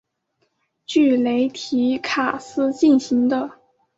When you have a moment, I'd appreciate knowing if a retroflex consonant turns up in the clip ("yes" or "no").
no